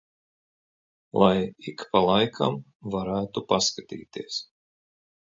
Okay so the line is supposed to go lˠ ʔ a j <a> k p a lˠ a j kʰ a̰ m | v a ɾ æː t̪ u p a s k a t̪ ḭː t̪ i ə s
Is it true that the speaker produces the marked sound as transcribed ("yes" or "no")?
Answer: no